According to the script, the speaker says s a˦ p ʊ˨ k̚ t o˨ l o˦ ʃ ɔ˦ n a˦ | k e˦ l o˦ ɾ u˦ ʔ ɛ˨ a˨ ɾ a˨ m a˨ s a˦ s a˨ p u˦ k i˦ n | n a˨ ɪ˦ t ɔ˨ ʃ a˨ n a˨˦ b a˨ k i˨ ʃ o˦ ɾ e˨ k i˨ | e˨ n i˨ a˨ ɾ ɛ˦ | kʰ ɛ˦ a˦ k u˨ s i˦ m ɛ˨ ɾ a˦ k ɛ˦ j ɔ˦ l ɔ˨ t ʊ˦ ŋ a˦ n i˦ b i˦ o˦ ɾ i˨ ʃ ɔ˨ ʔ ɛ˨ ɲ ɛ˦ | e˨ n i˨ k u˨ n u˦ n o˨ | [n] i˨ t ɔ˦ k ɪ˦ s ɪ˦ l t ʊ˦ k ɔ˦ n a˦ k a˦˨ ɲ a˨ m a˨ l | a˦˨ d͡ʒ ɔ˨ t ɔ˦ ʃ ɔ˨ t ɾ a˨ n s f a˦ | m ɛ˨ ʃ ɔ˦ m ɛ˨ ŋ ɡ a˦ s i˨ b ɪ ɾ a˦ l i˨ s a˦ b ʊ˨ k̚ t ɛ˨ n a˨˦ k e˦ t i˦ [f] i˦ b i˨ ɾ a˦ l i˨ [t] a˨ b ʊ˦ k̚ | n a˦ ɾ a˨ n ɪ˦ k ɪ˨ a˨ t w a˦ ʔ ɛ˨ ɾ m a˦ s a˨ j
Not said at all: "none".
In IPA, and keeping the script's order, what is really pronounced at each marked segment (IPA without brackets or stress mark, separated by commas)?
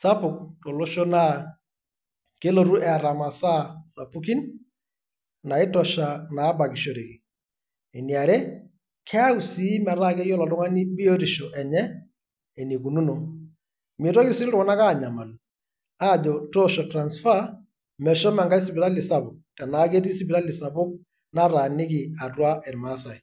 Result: m, s, s